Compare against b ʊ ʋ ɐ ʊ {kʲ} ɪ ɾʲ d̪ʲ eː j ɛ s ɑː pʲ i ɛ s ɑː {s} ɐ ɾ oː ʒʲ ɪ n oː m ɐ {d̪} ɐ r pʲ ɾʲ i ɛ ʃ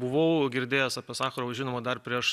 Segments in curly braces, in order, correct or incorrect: incorrect: ɡʲ, incorrect: x, correct

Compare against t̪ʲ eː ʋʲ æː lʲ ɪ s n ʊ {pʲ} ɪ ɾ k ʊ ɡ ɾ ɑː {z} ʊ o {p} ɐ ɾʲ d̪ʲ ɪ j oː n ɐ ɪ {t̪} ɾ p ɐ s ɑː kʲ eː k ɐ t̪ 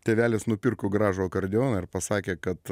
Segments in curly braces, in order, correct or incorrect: correct, incorrect: ʒ, incorrect: k, incorrect: none

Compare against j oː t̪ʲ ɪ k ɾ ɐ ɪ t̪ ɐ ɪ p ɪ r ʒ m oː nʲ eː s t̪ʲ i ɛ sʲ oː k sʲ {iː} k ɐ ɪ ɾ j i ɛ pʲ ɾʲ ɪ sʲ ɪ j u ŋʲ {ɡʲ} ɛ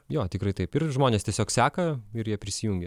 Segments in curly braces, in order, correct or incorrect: incorrect: æː, correct

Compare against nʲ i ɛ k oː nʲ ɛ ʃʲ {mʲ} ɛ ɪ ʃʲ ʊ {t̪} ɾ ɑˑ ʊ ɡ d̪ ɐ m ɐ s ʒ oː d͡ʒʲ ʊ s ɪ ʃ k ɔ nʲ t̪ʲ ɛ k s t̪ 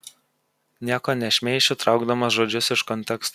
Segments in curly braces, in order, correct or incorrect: correct, correct

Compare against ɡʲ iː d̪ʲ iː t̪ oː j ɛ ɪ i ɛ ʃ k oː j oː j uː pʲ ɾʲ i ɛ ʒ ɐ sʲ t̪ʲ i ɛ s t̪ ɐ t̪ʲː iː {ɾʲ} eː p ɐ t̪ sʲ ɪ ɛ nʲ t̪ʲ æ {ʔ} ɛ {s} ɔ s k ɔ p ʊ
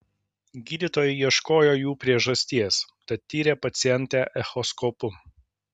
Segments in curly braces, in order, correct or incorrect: correct, correct, incorrect: x

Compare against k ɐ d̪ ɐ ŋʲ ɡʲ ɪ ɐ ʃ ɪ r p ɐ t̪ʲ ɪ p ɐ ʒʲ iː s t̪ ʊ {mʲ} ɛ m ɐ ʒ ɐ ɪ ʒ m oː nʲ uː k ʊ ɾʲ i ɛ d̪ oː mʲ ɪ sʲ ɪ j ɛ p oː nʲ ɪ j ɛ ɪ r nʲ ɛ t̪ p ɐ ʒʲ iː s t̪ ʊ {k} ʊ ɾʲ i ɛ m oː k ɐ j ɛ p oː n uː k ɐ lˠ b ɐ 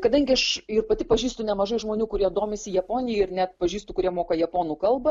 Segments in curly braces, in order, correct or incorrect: incorrect: nʲ, correct

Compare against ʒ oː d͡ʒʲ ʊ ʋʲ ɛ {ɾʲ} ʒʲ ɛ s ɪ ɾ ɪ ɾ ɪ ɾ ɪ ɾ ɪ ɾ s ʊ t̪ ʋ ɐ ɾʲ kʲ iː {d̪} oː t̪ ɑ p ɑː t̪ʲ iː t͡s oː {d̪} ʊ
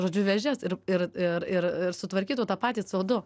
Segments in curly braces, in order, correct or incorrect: incorrect: none, incorrect: t̪, correct

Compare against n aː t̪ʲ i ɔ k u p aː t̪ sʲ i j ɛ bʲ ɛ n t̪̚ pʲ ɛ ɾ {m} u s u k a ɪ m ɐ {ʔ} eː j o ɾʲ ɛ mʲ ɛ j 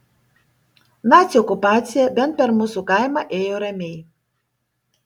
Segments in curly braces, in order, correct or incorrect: correct, correct

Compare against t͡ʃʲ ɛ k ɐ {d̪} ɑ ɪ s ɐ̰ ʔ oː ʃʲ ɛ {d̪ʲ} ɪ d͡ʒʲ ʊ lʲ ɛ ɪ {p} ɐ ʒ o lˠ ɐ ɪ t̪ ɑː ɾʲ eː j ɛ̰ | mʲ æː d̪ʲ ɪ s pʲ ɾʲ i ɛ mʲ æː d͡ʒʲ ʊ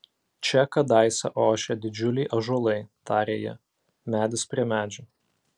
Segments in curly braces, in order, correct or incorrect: correct, correct, incorrect: ʔ

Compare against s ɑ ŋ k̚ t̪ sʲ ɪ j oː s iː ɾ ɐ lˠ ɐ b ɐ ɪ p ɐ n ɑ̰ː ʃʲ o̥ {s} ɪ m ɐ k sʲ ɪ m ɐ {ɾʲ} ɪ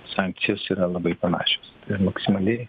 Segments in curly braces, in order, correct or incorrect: correct, incorrect: lʲ

